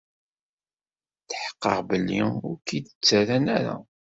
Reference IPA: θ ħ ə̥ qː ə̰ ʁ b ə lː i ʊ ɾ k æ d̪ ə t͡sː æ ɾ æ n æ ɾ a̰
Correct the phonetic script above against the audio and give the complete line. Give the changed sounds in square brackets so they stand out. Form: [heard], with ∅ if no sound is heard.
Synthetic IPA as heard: θ ħ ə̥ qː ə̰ ʁ b ə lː i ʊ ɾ k [i] d̪ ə t͡sː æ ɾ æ n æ ɾ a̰